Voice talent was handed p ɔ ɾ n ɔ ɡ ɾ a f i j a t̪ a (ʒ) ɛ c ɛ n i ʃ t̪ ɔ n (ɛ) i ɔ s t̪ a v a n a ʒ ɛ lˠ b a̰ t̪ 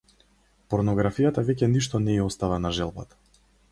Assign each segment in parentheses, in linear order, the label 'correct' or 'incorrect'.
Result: incorrect: v, correct

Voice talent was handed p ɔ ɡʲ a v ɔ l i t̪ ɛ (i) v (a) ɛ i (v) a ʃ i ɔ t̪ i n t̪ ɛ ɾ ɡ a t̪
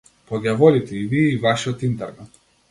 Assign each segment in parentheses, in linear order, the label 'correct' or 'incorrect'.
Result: correct, incorrect: i, correct

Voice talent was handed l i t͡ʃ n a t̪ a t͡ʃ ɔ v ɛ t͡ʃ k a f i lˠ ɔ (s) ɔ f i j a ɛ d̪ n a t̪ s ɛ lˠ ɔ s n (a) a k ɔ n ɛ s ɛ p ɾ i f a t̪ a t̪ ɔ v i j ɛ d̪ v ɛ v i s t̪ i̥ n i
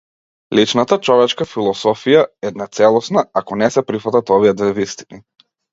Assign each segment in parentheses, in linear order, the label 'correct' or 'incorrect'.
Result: correct, correct

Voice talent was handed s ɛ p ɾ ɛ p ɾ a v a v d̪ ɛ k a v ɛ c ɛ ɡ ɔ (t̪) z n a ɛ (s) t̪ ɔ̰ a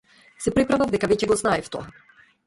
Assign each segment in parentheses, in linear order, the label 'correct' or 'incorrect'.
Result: incorrect: none, incorrect: f

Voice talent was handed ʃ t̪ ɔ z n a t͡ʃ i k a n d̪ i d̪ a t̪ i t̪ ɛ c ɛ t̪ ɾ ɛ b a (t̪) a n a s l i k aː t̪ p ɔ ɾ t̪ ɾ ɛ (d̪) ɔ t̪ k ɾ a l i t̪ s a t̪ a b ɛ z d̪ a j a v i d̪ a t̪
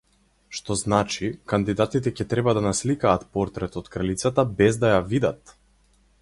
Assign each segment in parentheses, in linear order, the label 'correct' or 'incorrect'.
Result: incorrect: d̪, incorrect: t̪

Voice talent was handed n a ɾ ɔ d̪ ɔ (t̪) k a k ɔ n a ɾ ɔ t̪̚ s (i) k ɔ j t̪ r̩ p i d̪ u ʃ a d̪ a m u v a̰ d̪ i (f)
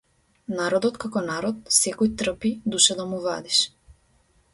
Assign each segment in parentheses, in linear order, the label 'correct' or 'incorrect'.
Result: correct, incorrect: ɛ, incorrect: ʃ

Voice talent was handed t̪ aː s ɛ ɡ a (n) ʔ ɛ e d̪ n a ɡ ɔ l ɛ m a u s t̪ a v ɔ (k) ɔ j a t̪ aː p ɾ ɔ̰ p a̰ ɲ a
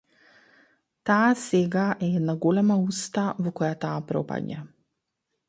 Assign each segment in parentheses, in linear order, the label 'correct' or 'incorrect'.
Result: incorrect: none, correct

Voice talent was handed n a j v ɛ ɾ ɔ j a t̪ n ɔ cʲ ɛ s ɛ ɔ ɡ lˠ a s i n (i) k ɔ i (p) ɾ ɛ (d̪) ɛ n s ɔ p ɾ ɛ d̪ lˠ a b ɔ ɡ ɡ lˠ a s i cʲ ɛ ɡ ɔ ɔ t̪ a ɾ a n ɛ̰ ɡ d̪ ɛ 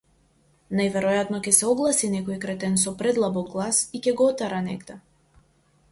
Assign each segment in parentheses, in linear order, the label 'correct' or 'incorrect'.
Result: incorrect: ɛ, incorrect: k, incorrect: t̪

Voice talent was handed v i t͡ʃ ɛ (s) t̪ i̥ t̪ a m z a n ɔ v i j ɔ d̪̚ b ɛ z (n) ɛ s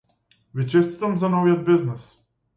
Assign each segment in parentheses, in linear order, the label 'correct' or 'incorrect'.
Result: correct, correct

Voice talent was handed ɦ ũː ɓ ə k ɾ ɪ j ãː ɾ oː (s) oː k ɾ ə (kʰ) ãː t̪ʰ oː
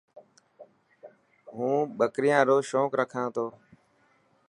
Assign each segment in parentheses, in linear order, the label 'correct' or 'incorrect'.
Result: incorrect: ʃ, correct

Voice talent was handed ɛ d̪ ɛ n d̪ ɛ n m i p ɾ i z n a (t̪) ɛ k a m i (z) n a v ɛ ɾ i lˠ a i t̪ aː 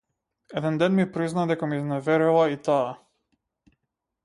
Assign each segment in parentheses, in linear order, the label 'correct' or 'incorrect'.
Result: incorrect: d̪, correct

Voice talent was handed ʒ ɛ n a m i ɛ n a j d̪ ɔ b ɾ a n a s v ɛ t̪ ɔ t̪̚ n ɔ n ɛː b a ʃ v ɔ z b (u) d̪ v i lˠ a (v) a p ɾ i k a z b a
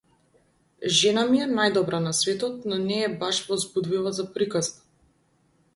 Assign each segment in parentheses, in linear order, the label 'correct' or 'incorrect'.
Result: correct, incorrect: z

